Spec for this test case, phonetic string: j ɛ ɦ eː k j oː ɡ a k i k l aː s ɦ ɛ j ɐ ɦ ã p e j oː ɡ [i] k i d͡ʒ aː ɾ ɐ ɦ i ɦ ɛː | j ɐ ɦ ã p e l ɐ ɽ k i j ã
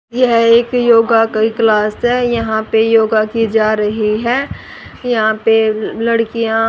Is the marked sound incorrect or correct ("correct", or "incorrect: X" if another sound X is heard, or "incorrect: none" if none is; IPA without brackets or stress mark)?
incorrect: a